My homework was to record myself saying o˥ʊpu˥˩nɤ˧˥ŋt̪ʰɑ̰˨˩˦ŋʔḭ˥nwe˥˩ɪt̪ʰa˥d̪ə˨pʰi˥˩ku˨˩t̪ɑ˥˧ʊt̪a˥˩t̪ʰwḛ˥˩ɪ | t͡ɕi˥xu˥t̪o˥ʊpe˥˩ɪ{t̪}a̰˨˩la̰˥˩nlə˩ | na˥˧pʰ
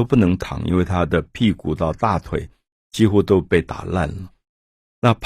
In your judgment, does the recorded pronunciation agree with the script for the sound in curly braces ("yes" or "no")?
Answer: yes